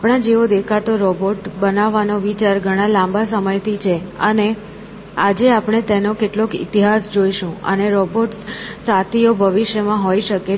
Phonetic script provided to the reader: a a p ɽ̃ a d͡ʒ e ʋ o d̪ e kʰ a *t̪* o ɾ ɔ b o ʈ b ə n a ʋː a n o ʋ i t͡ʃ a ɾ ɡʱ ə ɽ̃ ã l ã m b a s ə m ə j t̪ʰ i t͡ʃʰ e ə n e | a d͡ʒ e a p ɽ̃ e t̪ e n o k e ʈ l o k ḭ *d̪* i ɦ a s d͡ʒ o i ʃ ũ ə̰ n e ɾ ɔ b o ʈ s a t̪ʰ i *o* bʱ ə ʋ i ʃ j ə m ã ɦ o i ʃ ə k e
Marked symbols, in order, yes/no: yes, no, yes

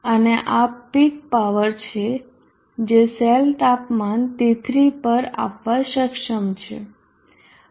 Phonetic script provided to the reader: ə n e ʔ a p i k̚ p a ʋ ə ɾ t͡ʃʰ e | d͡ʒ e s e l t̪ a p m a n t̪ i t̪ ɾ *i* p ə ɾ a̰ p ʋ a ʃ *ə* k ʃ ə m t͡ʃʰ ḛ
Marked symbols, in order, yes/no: yes, yes

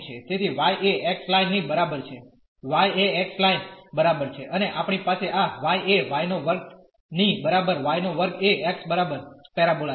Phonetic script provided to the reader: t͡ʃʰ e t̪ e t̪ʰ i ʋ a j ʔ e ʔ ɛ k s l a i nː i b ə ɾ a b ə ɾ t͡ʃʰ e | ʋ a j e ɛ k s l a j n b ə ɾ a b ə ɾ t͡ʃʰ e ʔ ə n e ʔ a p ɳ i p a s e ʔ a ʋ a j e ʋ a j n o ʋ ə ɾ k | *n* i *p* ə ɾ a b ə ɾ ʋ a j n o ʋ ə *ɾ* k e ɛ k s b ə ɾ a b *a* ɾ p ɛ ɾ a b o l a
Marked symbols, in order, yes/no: yes, no, yes, no

